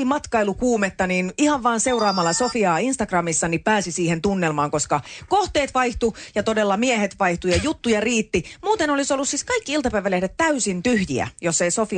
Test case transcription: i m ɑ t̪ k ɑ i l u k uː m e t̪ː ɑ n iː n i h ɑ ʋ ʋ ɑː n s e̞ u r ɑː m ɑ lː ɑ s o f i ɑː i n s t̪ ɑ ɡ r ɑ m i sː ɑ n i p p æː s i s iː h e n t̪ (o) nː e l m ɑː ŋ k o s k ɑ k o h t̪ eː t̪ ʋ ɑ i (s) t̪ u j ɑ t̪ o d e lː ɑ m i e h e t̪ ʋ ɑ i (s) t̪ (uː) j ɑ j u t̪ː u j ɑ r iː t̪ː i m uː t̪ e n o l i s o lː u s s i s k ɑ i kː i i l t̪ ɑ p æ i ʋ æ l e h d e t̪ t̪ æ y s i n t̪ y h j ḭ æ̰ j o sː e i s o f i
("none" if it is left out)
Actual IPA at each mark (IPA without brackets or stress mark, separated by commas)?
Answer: u, h, h, u